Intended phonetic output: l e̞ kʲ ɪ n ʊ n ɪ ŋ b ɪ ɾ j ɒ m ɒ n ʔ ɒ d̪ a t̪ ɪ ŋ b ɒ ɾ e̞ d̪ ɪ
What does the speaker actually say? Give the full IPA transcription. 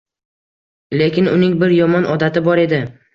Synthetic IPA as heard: l e̞ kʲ ɪ n ʊ n ɪ ŋ b ɪ ɾ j ɒ m ɒ n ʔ ɒ d̪ a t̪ ɪ b ɒ ɾ e̞ d̪ ɪ